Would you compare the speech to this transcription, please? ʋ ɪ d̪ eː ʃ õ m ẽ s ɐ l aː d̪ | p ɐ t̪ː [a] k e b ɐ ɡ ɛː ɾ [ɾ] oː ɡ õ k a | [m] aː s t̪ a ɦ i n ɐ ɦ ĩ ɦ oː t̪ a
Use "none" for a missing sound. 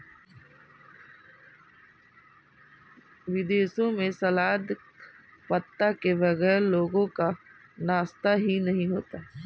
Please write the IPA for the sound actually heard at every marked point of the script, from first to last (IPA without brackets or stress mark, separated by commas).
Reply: a, l, n